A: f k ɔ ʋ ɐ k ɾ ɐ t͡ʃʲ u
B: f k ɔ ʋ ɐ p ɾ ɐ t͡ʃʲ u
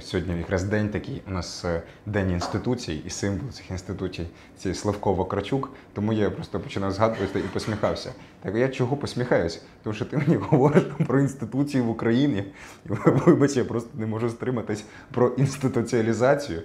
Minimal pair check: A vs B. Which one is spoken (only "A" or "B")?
A